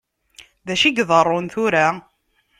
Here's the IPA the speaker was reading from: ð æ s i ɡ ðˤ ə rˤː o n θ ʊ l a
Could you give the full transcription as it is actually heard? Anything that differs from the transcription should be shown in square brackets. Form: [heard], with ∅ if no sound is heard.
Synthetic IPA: ð æ [ʃ] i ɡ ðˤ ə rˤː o n θ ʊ [ɾ] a